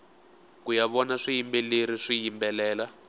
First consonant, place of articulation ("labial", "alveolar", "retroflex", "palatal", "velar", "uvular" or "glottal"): velar